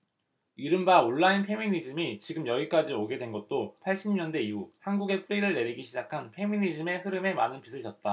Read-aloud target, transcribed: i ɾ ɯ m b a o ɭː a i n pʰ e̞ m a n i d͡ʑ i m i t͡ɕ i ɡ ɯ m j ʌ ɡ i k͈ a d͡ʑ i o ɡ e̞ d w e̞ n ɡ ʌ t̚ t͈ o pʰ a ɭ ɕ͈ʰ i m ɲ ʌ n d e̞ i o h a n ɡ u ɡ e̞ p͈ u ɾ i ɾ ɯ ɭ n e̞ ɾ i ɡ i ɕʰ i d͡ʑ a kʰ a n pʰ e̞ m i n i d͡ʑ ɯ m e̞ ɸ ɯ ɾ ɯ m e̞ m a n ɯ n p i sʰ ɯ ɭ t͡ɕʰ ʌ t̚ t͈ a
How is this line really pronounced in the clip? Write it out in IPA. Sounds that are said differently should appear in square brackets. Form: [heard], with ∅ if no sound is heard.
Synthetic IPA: i ɾ ɯ m b a o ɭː a i n pʰ e̞ m [i] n i d͡ʑ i m i t͡ɕ i ɡ ɯ m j ʌ ɡ i k͈ a d͡ʑ i o ɡ e̞ d w e̞ n ɡ ʌ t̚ t͈ o pʰ a ɭ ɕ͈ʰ i m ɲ ʌ n d e̞ i [u] h a n ɡ u ɡ e̞ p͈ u ɾ i ɾ ɯ ɭ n e̞ ɾ i ɡ i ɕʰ i d͡ʑ a kʰ a n pʰ e̞ m i n i d͡ʑ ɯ m e̞ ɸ ɯ ɾ ɯ m e̞ m a n ɯ n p i sʰ ɯ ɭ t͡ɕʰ ʌ t̚ t͈ a